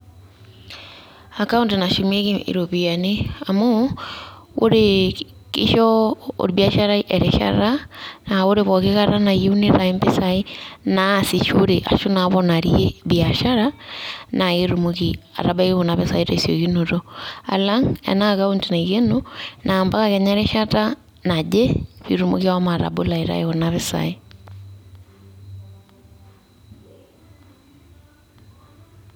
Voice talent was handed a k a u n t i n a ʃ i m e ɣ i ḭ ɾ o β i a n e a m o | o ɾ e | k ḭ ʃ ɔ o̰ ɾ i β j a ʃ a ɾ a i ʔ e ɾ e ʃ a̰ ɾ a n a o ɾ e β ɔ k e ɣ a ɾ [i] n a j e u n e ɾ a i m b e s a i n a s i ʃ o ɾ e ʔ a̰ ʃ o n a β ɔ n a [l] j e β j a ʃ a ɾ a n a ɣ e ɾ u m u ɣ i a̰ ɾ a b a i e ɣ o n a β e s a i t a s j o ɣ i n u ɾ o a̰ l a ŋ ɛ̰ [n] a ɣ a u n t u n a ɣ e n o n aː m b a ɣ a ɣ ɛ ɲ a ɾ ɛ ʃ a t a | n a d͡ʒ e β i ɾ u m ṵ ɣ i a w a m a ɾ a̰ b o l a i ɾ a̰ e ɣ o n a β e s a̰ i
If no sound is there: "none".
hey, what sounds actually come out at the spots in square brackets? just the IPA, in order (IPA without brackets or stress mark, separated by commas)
a, ɾ, n